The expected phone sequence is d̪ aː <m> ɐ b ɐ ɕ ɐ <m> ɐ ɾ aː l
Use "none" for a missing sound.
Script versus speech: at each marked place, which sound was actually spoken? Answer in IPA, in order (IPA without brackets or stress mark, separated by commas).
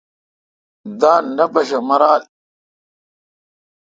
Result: n, m